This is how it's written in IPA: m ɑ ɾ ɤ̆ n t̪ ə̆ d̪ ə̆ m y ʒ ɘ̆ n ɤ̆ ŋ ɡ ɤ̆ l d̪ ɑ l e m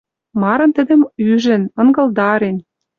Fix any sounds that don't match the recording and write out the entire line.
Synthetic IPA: m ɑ ɾ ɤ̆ n t̪ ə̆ d̪ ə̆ m y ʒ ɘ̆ n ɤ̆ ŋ ɡ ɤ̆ l d̪ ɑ ɾ e n